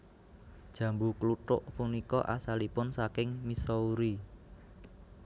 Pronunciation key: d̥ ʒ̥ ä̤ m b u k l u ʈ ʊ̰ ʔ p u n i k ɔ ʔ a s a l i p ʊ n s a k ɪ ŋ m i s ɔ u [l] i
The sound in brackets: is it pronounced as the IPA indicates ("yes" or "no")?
no